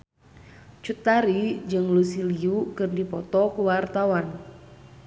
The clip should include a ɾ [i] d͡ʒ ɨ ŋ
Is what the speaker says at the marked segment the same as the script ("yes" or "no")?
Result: yes